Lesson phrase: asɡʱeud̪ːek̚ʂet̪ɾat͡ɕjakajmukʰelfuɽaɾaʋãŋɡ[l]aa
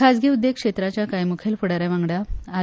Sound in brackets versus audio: incorrect: ɽ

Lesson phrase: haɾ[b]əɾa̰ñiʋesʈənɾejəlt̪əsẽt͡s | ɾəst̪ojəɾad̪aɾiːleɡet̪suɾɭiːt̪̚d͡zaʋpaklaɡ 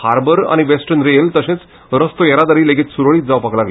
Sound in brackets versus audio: correct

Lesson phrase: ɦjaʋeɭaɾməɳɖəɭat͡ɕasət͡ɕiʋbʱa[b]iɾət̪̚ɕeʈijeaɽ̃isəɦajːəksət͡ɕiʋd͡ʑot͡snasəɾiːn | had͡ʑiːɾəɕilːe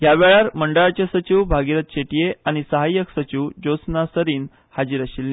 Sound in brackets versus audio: incorrect: ɡ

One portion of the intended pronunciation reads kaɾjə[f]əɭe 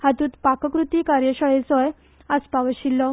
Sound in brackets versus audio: incorrect: ɕ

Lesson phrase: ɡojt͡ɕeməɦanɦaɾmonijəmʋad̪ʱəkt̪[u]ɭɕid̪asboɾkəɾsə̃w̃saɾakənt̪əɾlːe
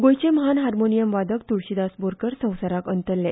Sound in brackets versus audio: correct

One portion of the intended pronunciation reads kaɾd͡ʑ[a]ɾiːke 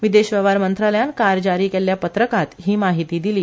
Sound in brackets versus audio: correct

